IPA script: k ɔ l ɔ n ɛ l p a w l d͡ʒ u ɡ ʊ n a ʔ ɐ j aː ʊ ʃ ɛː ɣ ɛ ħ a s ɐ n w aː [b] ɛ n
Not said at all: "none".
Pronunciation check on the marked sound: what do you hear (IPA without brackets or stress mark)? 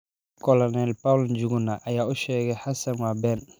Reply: b